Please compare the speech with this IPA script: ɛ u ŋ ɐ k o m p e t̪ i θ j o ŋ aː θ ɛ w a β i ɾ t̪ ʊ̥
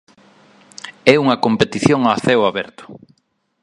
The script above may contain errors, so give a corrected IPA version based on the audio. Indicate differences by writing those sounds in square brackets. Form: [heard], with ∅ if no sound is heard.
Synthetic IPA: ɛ u ŋ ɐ k o m p e t̪ i θ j o ŋ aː θ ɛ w a β [ɛ] ɾ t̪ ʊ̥